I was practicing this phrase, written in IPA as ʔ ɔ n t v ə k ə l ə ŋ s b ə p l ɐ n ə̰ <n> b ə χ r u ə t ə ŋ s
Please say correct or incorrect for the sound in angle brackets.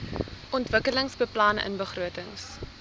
correct